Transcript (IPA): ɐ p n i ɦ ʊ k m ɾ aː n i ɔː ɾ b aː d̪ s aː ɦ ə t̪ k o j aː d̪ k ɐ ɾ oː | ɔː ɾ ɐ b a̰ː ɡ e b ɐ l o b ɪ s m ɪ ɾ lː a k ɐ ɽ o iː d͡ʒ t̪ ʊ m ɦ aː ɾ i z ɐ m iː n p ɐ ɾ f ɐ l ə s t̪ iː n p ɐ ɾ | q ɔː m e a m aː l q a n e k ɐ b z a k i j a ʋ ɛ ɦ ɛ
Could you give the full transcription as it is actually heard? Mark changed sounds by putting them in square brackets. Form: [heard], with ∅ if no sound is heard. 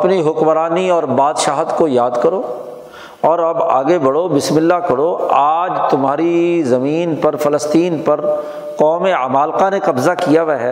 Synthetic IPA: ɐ p n i ɦ ʊ k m ɾ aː n i ɔː ɾ b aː d̪ [ʃ] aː ɦ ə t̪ k o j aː d̪ k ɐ ɾ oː | ɔː ɾ ɐ b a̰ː ɡ e b ɐ [ɽ] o b ɪ s m ɪ [∅] lː a k ɐ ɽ o [aː] d͡ʒ t̪ ʊ m ɦ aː ɾ i z ɐ m iː n p ɐ ɾ f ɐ l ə s t̪ iː n p ɐ ɾ | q ɔː m e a m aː l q a n e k ɐ b z a k i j a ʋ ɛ ɦ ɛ